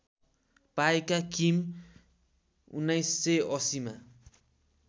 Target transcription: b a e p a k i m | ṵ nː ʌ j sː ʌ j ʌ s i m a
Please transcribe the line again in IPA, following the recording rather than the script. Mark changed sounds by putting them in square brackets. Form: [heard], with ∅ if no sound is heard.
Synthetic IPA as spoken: [p] a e [k] a k i m | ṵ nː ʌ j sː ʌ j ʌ s i m a